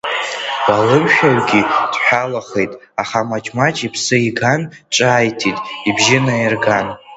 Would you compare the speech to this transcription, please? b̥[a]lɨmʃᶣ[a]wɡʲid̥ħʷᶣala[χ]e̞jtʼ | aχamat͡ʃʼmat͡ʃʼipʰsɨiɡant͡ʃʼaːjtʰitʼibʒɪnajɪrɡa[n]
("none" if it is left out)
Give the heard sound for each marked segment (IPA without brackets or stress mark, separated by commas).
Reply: a, a, χ, n